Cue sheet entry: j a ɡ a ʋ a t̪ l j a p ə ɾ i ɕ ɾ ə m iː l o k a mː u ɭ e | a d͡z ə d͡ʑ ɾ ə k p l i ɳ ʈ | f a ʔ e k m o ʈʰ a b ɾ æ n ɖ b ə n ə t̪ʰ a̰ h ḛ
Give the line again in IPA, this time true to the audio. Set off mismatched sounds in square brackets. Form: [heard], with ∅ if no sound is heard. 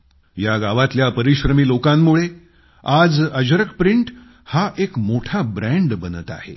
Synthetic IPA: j a ɡ a ʋ a t̪ l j a p ə ɾ i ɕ ɾ ə m iː l o k a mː u ɭ e | a d͡z ə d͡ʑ ɾ ə k p [ɾ] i ɳ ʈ | [h] a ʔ e k m o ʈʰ a b ɾ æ [ɳ] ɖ b ə n ə [t̪] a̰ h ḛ